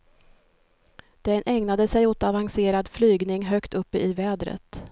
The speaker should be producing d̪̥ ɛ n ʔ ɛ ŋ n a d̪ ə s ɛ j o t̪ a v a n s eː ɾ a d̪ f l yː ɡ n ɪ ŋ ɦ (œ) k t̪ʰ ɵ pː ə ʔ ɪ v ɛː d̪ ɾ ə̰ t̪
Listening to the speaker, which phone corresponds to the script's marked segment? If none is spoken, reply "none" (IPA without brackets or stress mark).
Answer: œ